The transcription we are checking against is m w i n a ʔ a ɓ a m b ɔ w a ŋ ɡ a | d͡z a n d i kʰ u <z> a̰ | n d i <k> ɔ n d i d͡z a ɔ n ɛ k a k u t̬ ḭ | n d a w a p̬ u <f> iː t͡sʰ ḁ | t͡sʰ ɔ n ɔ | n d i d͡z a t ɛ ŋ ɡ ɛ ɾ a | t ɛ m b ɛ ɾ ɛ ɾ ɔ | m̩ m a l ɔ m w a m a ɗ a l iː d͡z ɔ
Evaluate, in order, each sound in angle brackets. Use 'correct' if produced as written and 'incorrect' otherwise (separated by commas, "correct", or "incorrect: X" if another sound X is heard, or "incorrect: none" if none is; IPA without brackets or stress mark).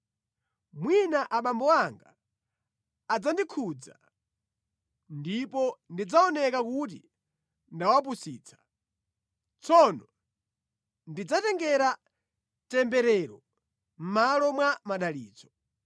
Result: incorrect: d͡z, incorrect: p, incorrect: s